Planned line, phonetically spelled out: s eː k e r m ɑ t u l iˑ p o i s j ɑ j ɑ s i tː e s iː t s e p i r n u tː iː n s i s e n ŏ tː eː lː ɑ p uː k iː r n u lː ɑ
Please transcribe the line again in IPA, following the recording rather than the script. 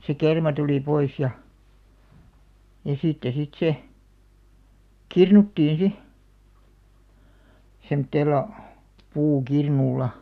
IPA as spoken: s e k e r m ɑ t u l iˑ p o i s j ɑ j ɑ s i tː e s i t s e k i r n u tː iː n s i s e m ŏ tː eː lː ɑ p uː k i r n u lː ɑ

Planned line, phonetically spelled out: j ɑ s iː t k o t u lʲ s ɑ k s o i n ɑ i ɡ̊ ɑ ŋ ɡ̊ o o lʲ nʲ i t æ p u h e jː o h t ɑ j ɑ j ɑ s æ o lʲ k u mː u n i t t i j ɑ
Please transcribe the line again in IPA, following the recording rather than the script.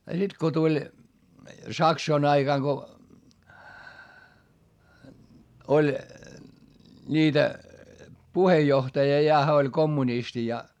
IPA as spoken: j ɑ s i t k o t u lʲ s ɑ k s o i n ɑ i ɡ̊ ɑ ŋ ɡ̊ o o lʲ nʲ iː t æ p u h e jː o h t ɑ j ɑ j ɑ h æ o lʲ k o mː u n i s t i j ɑ

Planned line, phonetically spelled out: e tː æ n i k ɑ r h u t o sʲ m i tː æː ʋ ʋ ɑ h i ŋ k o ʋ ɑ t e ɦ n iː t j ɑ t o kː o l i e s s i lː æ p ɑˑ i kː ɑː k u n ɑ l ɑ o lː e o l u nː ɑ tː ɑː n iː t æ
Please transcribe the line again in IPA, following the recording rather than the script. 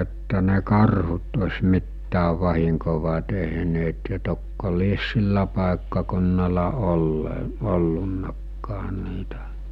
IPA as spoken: e tː æ n e k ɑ r h u t o sʲ m i tː æː ʋ ʋ ɑ h i ŋ k o ʋ ɑ t e ɦ n eː t j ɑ t o kː o l i e s s i lː æ p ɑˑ e kː ɑ k u nː ɑ l ɑ o lː e o lː u nː ɑ kː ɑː n iː t æ

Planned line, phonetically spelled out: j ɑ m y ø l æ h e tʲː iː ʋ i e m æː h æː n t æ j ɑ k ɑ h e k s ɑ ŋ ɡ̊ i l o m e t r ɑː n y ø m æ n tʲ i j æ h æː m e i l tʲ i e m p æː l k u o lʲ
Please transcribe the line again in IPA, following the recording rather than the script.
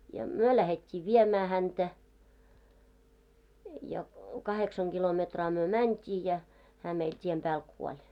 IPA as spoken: j ɑ m y ø l æ h e tʲː iː ʋ i e m æː h æ n t æ j ɑ k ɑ h e k s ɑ ŋ ɡ̊ i l o m e t r ɑː m y ø m æ n tʲ iː j æ h æː m e i l tʲ i e m p æː l k u o lʲ

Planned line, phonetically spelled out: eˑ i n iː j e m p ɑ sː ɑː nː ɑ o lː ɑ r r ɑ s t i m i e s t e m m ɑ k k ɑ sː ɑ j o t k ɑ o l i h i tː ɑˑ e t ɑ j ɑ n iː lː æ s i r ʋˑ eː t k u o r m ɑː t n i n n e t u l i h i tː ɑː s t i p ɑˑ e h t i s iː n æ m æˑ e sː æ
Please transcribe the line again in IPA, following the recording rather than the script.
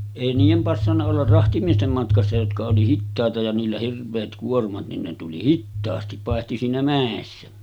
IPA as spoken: eˑ i n iː j e m p ɑ sː ɑ nː ɑ o lː ɑ r r ɑ h t i m i e s t e m m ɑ t k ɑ sː ɑ j o t k ɑ o l i h i tː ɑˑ e t ɑ j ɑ n iː lː æ h i r ʋˑ eː t k u o r m ɑ t n i n n e t u l i h i tː ɑː s t i p ɑˑ e h t i s iː n æ m æˑ e sː æ

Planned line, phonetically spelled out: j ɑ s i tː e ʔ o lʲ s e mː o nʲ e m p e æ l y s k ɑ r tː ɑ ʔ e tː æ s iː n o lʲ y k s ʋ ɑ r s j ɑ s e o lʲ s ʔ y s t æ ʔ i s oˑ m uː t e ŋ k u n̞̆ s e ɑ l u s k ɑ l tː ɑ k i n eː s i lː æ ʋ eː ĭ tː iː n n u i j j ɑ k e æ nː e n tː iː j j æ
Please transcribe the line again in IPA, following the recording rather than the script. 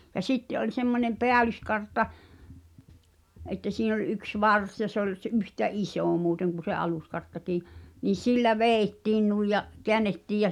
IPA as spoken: j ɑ s i tː e ʔ o lʲ s e mː o nʲ e m p e æ l y s k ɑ r tː ɑ ʔ e tː æ s iː n o lʲ y k s ʋ ɑ r s j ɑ s e o lʲ s ʔ y h t æ ʔ i s oˑ m uː t e ŋ k u n̞̆ s e ɑ l u s k ɑ r tː ɑ k iː n iː s i lː æ ʋ eː ĭ tː iː n n u i j j ɑ k e æ nː e tː iː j j æ

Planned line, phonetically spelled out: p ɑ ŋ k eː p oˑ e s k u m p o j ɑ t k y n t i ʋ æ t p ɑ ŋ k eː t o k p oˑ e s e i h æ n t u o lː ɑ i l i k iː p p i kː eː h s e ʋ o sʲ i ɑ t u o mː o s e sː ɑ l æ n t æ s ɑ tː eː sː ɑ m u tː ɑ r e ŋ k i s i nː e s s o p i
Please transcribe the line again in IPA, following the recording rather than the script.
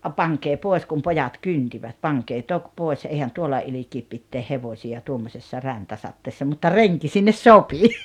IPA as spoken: p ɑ ŋ k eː p oˑ e s k u m p o j ɑ t k y n t i ʋ æ t p ɑ ŋ k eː t o k p oˑ e s e i h æ n t u o lː ɑ i l i k iː p p i tː eː h h e ʋ o sʲ i ɑ t u o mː o s e sː ɑ r æ n t æ s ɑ tː eː sː ɑ m u tː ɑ r e ŋ k i s i nː e s s o p i

